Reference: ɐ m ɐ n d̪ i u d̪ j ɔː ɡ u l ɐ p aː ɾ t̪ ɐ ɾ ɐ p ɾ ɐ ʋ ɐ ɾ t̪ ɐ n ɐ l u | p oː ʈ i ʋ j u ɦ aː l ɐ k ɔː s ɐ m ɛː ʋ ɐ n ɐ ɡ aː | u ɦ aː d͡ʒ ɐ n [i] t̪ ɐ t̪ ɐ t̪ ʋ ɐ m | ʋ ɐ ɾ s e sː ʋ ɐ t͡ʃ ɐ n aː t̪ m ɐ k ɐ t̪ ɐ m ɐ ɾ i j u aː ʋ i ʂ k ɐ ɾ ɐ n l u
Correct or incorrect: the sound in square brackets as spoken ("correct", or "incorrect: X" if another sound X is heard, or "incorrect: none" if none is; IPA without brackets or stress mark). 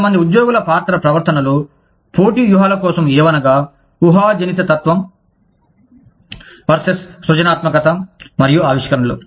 correct